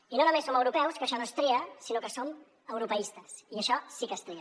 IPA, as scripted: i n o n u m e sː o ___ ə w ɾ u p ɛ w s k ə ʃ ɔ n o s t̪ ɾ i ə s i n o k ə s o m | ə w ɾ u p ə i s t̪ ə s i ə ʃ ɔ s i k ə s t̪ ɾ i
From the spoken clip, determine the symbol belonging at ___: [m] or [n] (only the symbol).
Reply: m